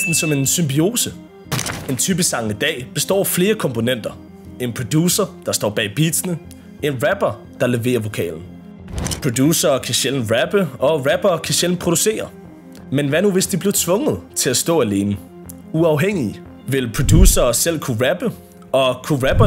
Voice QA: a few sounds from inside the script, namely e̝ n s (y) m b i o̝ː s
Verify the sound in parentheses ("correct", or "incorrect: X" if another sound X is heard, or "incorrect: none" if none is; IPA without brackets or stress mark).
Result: correct